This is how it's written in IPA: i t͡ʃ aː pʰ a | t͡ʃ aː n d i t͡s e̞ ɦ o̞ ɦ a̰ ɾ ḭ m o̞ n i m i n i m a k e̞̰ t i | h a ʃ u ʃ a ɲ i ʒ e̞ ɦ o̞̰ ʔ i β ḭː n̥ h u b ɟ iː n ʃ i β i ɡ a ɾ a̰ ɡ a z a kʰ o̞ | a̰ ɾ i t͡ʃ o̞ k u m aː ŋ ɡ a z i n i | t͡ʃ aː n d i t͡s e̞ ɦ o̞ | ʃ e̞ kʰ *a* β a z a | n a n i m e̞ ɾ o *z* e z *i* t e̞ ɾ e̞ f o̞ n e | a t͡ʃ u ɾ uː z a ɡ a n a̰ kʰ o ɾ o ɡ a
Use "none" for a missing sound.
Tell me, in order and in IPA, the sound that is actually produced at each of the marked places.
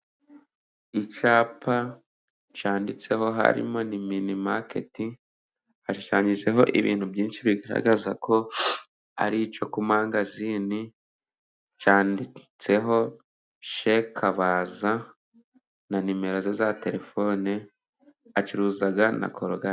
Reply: a, z, a

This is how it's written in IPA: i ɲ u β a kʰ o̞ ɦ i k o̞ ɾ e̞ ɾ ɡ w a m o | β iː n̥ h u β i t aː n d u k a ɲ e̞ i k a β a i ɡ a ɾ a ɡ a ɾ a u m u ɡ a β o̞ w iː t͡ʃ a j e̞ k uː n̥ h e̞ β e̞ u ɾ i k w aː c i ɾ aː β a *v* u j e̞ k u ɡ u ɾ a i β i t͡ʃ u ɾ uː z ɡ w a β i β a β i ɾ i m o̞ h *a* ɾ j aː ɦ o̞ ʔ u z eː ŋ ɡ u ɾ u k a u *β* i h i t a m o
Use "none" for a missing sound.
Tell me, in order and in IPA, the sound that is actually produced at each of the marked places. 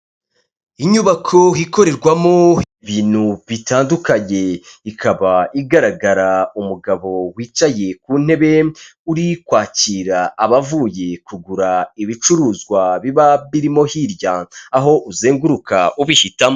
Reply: v, i, β

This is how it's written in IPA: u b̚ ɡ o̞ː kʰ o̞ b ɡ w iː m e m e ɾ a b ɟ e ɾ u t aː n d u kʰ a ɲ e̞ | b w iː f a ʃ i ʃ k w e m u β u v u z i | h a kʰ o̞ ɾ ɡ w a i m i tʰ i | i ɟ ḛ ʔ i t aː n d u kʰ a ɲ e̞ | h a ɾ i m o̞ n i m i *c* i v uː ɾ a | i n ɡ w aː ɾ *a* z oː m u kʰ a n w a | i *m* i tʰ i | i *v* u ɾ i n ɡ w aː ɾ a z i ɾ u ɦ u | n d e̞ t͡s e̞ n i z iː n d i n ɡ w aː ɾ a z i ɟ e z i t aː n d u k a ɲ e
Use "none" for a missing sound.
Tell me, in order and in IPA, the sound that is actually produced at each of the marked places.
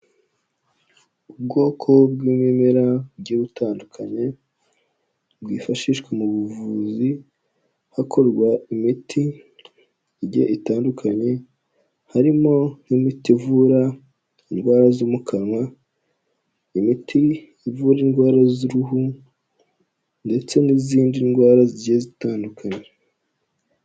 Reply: t, a, m, v

